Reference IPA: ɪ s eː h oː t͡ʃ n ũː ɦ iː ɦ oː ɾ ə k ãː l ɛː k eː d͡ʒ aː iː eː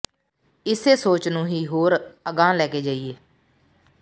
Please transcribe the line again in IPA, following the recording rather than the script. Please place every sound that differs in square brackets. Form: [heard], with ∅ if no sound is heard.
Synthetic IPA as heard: ɪ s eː [s] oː t͡ʃ n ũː ɦ iː ɦ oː ɾ ə [ɡ] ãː l ɛː k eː d͡ʒ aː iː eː